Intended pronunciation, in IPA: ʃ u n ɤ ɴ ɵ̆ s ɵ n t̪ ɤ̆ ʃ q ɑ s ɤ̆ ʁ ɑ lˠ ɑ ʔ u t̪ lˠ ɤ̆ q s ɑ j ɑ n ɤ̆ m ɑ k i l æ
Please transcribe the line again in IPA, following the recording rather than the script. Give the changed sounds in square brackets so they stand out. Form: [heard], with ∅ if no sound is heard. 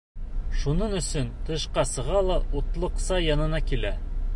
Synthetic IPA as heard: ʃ u n ɤ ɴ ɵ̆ s ɵ n t̪ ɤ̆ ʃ q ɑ s ɤ̆ ʁ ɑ lˠ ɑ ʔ u t̪ lˠ ɤ̆ q s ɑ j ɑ n ɤ̆ [n] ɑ k i l æ